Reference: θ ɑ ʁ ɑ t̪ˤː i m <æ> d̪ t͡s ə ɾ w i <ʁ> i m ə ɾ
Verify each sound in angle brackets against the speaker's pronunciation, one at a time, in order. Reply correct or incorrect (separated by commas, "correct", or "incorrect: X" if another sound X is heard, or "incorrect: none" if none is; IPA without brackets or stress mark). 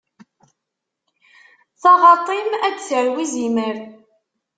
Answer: correct, incorrect: z